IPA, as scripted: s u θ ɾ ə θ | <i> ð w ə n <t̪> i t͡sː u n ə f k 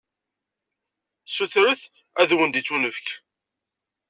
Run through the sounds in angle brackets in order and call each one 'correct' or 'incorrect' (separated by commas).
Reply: incorrect, incorrect